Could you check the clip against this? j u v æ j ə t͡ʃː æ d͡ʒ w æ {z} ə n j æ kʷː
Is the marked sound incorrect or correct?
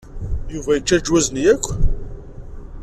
correct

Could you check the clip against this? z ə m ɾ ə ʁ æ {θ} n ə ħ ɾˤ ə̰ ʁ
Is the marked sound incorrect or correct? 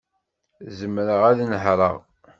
incorrect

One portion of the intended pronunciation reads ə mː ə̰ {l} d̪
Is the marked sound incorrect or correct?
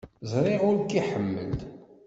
correct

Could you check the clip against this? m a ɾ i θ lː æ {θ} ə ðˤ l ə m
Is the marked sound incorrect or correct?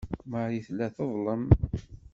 correct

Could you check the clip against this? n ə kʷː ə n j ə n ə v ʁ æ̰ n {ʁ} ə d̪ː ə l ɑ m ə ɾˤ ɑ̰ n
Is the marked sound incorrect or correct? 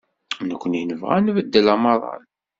incorrect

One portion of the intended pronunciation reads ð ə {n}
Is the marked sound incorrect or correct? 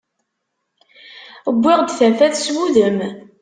incorrect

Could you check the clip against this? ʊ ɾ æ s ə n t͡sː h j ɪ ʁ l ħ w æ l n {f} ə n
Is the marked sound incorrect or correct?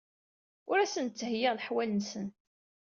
incorrect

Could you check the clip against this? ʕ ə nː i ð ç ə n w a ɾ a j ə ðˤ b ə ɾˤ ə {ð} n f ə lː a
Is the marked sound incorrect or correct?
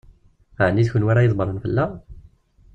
incorrect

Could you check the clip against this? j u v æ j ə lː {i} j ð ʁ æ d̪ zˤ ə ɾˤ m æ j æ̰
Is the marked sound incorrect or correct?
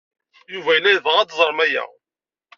incorrect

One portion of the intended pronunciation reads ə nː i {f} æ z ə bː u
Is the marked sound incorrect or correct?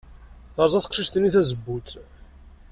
incorrect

